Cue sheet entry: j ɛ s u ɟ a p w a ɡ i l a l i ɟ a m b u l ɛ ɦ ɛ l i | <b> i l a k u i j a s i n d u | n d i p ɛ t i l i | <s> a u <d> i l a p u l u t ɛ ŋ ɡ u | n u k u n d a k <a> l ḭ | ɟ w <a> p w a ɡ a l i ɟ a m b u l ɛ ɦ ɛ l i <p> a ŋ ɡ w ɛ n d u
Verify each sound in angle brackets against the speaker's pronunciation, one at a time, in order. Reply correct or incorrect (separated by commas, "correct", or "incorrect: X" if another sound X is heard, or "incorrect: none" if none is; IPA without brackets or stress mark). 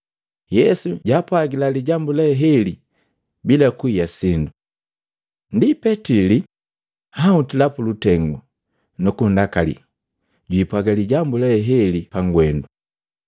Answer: correct, incorrect: h, incorrect: t, correct, incorrect: i, correct